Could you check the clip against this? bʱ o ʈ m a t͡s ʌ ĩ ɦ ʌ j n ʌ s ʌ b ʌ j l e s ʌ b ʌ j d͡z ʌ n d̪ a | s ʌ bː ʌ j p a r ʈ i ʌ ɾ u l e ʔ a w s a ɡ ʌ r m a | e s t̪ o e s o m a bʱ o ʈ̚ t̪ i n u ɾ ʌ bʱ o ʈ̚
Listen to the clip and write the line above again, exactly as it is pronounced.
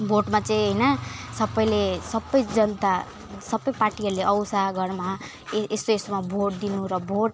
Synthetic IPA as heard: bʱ o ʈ m a t͡s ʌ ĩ ɦ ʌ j n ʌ s ʌ b ʌ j l e s ʌ b ʌ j d͡z ʌ n t̪ a | s ʌ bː ʌ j p a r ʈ i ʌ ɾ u l e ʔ ʌ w s a ɡ ʌ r m a | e s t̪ o e s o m a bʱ o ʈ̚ d̪ i n u ɾ ʌ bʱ o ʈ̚